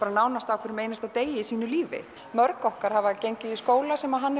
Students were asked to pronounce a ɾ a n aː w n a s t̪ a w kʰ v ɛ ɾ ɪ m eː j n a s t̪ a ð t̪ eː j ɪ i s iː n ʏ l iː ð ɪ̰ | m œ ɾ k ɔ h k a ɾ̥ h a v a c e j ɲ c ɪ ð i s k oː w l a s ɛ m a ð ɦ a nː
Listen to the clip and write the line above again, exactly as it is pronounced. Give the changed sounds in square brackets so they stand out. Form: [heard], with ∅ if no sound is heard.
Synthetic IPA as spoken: a ɾ a n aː w n a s t̪ a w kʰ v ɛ ɾ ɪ m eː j n a s t̪ a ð t̪ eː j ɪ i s iː n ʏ l iː [v] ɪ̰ | m œ ɾ k ɔ h k a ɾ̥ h a v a c e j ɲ c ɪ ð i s k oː w l a s ɛ m a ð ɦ a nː